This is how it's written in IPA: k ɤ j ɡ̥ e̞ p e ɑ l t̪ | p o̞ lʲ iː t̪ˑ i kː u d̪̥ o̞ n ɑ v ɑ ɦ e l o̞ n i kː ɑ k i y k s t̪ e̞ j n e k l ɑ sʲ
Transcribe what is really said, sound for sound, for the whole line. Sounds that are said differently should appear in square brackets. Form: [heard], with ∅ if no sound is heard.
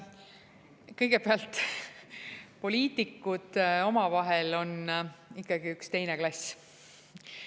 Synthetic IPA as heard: k ɤ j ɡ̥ e̞ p e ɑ l t̪ | p o̞ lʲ iː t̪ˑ i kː u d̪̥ o̞ [m] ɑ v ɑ ɦ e l o̞ n i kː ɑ [ɡ] i y k s t̪ e̞ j n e k l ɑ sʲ